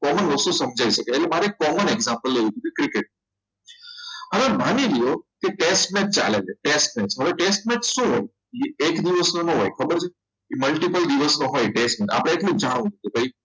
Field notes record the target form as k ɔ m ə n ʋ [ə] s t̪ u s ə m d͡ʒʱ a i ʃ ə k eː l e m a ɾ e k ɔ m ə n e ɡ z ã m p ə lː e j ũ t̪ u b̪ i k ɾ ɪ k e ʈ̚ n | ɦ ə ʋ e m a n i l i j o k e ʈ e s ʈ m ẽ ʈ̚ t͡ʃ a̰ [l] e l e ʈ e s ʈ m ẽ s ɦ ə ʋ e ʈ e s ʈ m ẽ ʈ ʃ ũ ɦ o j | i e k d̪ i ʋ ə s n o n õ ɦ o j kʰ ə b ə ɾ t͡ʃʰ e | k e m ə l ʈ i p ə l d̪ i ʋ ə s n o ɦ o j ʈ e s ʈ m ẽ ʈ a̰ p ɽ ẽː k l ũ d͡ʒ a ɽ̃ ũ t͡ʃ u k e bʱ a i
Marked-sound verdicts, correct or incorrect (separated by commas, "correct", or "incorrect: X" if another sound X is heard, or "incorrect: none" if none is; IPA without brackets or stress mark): correct, correct